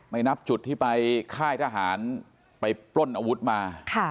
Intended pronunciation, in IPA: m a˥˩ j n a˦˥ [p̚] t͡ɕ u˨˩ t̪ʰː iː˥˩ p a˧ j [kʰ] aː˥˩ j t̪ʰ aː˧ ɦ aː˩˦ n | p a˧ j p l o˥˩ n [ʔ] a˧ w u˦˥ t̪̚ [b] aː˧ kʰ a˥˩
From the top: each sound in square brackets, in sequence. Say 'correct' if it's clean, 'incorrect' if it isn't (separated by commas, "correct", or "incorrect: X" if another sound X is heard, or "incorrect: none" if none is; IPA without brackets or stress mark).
correct, correct, correct, incorrect: m